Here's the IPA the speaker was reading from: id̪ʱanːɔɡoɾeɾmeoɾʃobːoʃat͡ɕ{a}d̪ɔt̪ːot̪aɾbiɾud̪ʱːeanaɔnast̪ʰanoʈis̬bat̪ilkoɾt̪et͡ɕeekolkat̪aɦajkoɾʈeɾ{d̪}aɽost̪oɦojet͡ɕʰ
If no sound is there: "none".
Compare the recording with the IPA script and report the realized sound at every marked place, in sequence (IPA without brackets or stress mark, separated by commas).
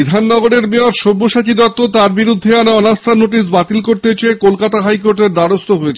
i, d̪